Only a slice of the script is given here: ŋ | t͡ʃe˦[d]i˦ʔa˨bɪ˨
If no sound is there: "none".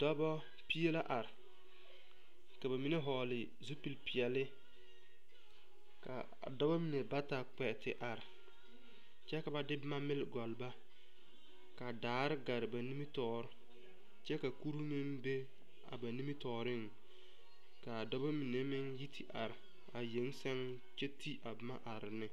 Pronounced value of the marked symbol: t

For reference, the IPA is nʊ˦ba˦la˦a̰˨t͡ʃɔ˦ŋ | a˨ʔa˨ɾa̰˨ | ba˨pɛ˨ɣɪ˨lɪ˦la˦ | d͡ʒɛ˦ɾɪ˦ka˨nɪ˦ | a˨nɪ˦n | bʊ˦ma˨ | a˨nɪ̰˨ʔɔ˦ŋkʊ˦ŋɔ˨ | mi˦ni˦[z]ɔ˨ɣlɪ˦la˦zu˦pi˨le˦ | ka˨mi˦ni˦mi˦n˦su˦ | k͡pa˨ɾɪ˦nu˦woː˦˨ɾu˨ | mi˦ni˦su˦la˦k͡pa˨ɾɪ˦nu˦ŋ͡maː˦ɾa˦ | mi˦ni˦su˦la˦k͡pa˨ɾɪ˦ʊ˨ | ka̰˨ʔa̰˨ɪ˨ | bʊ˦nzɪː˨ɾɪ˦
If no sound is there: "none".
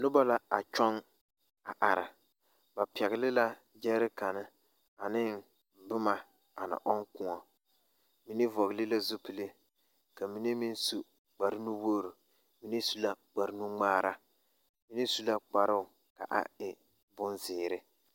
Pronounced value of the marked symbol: v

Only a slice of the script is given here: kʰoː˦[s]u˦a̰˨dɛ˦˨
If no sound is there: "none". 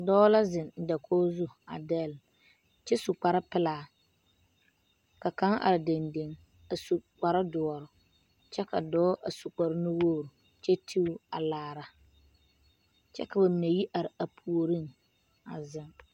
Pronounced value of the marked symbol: z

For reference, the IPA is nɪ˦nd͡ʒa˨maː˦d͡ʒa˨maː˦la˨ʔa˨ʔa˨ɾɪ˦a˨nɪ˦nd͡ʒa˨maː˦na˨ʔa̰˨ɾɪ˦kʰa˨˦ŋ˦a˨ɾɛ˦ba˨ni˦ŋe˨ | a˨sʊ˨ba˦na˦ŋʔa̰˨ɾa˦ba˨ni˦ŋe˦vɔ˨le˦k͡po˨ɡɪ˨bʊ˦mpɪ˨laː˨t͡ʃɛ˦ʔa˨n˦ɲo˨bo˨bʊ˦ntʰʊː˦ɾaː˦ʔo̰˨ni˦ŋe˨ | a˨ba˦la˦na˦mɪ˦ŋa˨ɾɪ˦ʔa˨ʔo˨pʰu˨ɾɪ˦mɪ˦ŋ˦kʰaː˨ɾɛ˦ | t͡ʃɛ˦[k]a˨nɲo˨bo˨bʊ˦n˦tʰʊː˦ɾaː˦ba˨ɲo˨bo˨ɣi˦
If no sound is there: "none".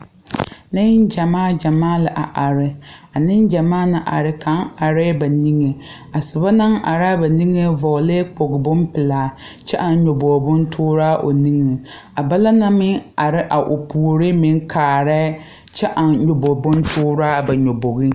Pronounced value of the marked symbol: ʔ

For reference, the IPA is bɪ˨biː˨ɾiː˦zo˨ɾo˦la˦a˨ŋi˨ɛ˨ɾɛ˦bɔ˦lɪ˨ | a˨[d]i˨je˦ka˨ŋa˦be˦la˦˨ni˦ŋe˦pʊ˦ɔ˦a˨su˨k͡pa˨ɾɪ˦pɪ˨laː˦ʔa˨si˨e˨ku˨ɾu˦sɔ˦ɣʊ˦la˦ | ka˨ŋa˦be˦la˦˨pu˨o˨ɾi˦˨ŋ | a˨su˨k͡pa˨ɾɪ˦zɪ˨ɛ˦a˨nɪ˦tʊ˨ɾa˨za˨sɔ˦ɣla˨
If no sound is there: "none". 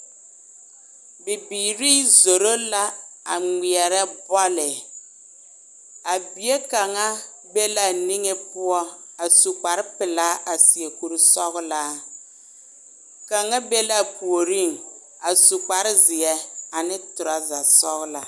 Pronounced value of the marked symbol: b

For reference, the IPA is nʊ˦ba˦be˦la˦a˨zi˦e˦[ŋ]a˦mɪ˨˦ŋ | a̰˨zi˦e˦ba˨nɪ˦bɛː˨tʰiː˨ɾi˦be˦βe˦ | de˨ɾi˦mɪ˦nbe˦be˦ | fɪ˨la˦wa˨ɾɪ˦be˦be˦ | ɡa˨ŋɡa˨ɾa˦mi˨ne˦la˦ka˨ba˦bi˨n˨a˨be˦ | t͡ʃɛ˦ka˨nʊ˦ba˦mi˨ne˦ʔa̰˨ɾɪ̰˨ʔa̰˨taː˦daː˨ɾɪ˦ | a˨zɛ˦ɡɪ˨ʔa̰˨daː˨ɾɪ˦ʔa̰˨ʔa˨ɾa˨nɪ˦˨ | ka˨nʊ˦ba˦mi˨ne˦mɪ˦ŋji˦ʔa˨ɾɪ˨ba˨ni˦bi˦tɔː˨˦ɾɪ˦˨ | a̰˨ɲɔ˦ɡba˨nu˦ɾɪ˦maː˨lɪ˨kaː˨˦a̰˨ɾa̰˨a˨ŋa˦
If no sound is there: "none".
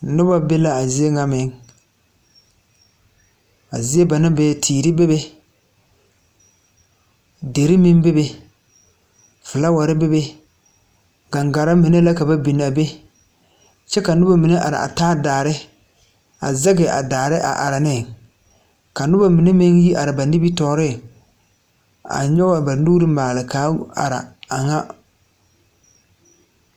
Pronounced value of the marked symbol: ŋ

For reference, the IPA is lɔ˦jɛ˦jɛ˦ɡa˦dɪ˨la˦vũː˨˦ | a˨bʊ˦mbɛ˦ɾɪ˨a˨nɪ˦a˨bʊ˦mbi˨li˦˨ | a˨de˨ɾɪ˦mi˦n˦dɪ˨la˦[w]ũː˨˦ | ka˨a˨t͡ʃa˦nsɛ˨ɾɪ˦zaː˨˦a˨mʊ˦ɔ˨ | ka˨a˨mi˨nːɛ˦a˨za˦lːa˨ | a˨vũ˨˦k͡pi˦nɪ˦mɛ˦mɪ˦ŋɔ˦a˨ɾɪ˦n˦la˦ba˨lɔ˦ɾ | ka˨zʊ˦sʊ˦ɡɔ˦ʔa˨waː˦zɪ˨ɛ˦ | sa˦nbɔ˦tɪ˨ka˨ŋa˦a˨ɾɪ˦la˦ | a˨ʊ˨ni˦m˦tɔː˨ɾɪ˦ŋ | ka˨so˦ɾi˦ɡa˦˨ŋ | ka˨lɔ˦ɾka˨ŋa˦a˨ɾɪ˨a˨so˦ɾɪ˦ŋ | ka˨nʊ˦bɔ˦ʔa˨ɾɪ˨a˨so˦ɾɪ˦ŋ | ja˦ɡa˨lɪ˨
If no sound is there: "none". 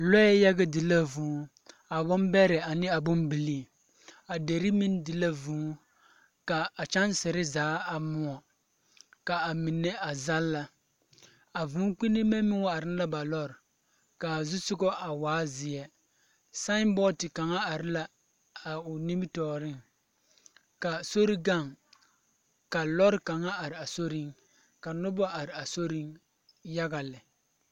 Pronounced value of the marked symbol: v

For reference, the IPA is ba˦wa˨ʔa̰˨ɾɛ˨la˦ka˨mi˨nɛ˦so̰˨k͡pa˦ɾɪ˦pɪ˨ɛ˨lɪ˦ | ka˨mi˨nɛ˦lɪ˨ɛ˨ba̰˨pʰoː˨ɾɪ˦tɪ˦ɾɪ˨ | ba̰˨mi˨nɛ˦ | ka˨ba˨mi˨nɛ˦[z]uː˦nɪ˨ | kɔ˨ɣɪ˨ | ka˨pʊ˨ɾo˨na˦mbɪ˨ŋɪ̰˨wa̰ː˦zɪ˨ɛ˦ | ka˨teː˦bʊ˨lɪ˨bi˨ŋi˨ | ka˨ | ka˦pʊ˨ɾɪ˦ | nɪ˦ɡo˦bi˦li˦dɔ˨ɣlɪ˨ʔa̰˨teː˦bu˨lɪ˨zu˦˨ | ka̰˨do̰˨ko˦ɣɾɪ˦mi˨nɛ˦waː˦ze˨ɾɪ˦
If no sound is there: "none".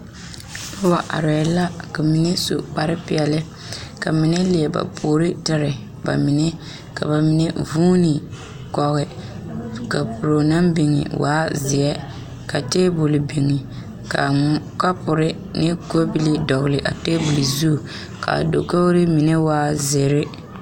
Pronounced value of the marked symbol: v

